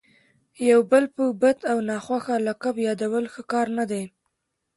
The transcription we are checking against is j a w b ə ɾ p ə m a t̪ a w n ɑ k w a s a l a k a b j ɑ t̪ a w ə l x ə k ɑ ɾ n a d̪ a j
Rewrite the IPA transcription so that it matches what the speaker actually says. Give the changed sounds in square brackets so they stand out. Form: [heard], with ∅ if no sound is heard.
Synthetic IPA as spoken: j a w b ə [l] p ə [b] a t̪ a w n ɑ [x] w a [x] a l a k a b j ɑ [d̪] a w ə l x ə k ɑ ɾ n a d̪ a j